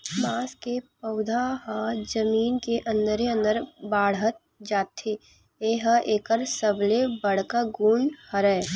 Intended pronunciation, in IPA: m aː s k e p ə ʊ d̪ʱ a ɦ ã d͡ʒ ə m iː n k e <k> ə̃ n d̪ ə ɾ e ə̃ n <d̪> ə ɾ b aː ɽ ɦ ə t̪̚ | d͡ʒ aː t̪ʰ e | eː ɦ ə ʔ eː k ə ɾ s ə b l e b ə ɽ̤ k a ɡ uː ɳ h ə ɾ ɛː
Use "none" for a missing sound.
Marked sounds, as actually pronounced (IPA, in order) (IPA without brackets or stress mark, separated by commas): ʔ, d̪